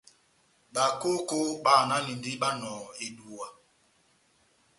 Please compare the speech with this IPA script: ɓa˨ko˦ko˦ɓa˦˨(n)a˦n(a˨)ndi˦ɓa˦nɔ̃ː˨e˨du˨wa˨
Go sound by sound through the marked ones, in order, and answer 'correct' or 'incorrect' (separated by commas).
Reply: correct, incorrect